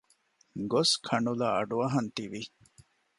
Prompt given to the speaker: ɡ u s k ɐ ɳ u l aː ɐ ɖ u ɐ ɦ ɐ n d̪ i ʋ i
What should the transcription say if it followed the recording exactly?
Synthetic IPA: ɡ o s kʰ ɐ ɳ u l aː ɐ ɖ u ɐ ɦ ɐ n t̪ i ʋ i